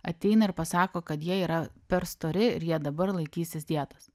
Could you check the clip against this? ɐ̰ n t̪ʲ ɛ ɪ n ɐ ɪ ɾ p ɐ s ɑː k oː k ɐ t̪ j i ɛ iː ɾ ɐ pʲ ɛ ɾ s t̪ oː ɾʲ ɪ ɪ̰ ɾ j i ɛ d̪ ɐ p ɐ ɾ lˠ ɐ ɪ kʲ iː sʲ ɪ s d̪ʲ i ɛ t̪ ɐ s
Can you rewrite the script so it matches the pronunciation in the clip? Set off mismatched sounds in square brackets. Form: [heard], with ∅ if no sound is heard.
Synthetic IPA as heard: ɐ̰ [∅] t̪ʲ ɛ ɪ n ɐ ɪ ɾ p ɐ s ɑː k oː k ɐ t̪ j i ɛ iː ɾ ɐ pʲ ɛ ɾ s t̪ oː ɾʲ ɪ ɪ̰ ɾ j i ɛ d̪ ɐ [b] ɐ ɾ lˠ ɐ ɪ kʲ iː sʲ ɪ s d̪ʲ i ɛ t̪ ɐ s